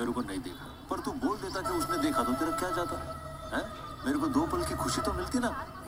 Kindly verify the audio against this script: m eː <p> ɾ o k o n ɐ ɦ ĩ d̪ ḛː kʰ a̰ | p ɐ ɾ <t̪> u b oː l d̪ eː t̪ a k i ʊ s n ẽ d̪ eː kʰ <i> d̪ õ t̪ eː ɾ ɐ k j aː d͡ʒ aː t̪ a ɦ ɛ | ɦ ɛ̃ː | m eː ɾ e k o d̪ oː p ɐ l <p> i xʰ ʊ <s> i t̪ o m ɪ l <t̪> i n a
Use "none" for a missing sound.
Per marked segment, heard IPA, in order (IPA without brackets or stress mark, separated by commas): none, t̪, a, k, ʃ, t̪